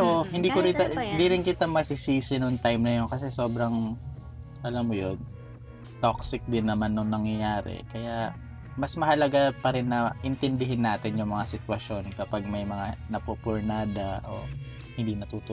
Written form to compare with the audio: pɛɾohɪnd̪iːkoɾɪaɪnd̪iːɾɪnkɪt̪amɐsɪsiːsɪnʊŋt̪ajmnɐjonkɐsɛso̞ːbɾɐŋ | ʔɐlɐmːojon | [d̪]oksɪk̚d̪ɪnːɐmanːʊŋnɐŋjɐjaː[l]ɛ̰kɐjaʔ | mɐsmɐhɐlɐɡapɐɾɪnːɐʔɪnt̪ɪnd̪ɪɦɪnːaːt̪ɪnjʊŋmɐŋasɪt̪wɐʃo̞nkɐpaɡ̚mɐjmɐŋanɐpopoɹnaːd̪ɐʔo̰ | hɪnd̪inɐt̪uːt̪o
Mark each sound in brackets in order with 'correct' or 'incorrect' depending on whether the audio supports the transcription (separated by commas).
incorrect, incorrect